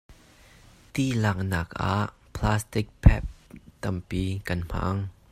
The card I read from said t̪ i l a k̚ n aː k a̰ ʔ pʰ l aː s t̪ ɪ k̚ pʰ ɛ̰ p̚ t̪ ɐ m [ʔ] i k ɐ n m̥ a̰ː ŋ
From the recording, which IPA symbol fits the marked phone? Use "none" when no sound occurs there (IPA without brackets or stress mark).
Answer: p